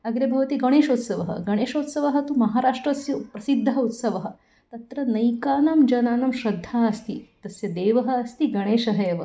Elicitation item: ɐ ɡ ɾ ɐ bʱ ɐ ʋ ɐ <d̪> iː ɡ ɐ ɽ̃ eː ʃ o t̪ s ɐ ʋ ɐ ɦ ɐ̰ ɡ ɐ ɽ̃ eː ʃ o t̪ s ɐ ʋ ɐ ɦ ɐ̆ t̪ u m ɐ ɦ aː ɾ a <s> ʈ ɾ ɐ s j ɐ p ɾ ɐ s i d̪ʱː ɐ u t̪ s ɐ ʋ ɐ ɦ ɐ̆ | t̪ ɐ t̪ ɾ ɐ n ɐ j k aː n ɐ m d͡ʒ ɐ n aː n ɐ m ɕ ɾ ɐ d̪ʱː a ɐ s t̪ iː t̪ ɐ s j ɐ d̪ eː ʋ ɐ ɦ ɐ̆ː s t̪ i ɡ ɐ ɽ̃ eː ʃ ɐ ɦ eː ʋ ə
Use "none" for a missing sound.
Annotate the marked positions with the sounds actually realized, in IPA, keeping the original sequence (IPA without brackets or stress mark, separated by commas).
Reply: t̪, ʂ